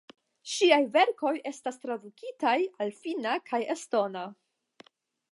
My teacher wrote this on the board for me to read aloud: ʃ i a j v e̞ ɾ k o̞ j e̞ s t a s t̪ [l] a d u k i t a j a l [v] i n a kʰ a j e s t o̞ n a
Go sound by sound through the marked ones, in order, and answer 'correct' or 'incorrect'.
incorrect: ɾ, incorrect: f

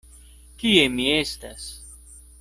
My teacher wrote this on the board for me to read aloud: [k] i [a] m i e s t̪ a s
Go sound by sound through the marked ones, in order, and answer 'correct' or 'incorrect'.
correct, incorrect: e

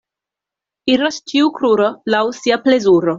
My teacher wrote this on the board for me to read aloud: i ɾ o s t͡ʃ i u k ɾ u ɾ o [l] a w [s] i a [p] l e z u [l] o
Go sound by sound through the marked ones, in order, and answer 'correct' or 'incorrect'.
correct, correct, correct, incorrect: ɾ

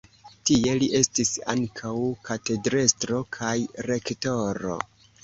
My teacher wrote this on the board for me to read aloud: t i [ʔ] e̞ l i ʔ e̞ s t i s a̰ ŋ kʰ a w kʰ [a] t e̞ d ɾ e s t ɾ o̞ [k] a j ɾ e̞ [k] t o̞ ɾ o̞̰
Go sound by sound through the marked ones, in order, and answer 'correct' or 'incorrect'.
incorrect: none, correct, incorrect: kʰ, correct

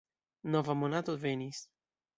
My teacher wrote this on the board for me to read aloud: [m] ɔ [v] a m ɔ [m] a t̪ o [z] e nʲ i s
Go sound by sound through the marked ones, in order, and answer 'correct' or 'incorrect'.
incorrect: n, correct, incorrect: n, incorrect: v

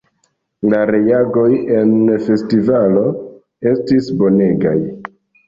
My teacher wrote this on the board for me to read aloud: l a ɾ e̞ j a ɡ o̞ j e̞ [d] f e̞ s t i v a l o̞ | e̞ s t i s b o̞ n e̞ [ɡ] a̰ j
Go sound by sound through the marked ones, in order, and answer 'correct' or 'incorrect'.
incorrect: n, correct

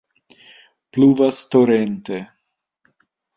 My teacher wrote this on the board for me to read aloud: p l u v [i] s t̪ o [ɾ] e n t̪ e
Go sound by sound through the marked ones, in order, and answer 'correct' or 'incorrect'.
incorrect: a, correct

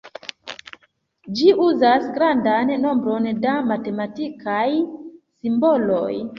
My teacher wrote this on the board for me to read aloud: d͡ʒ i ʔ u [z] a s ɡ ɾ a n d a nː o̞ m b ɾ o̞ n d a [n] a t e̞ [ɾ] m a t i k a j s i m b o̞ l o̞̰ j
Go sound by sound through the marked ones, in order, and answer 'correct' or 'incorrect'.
correct, incorrect: m, incorrect: none

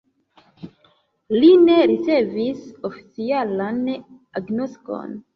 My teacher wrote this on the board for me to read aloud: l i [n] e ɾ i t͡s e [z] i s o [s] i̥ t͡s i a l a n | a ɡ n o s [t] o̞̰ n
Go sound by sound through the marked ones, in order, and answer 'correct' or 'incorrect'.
correct, incorrect: v, incorrect: f, incorrect: k

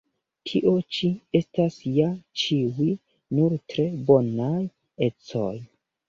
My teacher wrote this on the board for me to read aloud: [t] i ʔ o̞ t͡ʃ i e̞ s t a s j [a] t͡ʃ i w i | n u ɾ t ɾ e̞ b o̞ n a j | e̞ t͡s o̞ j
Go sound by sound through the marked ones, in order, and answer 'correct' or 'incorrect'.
incorrect: tʰ, correct

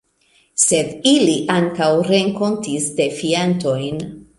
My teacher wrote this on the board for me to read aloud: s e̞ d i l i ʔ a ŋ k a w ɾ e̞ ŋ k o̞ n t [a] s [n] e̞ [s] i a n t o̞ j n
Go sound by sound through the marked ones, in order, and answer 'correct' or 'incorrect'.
incorrect: i, incorrect: d, incorrect: f

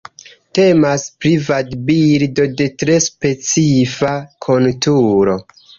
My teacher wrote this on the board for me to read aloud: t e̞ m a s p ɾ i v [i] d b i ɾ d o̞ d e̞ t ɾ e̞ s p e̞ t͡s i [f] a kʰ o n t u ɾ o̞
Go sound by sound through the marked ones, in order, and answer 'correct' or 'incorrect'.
incorrect: a, correct

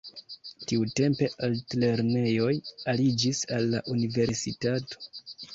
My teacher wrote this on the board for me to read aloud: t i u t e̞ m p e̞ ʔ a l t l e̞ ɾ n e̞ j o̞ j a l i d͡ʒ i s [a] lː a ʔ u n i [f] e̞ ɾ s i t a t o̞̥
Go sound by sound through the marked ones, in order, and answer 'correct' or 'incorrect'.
correct, incorrect: v

